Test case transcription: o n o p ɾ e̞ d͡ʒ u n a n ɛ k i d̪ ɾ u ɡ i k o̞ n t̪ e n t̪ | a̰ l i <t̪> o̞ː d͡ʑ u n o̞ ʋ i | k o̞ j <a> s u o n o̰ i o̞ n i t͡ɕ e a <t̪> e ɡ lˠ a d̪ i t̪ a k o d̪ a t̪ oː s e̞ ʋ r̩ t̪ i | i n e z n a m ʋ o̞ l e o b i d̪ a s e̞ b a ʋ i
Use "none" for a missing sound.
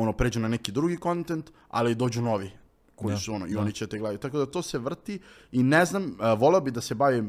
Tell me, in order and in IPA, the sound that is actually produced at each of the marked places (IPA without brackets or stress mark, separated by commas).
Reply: d̪, i, t̪